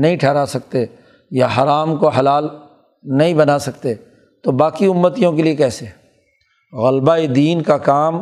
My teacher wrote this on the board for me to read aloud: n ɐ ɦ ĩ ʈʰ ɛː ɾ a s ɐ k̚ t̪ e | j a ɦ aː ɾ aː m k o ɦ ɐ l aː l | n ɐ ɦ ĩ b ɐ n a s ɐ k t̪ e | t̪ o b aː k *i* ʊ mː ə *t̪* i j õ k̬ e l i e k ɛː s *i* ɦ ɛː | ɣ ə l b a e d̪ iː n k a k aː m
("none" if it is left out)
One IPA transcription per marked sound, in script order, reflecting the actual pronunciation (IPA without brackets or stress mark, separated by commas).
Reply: i, t̪, e